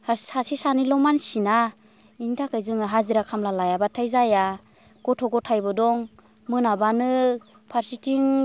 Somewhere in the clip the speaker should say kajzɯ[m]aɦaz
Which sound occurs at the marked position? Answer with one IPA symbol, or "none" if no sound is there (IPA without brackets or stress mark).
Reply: ŋ